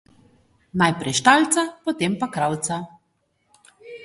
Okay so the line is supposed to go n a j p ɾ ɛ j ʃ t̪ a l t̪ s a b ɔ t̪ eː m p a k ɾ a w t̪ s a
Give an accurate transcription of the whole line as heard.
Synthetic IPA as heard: n a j p ɾ ɛ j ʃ t̪ a l t̪ s a p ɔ t̪ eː m p a k ɾ a w t̪ s a